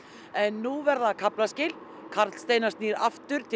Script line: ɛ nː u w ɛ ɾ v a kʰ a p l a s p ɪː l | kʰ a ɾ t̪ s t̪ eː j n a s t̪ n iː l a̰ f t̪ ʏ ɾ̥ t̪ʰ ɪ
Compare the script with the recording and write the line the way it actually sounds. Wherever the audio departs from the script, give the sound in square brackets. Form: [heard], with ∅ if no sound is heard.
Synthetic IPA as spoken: ɛ nː u [v] ɛ ɾ [ð] a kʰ a p l a s [c] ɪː l | kʰ a ɾ t̪ s t̪ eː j n a s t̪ n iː [ɾ] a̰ f t̪ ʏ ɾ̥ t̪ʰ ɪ